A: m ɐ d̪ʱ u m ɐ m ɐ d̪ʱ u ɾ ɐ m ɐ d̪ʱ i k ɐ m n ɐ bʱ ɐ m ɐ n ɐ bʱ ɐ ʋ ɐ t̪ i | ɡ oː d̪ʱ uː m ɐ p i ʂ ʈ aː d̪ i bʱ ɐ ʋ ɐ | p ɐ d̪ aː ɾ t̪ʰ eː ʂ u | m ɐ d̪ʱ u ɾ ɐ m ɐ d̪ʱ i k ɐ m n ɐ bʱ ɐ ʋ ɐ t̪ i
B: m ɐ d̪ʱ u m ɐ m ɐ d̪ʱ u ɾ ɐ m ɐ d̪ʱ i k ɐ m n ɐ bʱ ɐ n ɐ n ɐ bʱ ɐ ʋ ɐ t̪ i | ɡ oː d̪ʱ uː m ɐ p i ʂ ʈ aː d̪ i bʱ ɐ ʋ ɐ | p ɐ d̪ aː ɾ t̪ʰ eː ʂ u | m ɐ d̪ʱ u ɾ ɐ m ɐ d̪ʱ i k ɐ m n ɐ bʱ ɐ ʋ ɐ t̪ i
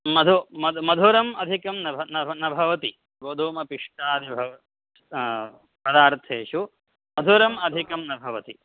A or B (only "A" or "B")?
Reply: B